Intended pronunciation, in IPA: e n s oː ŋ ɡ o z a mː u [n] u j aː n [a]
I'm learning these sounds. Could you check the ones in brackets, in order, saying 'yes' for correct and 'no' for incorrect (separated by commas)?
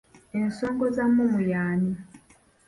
no, no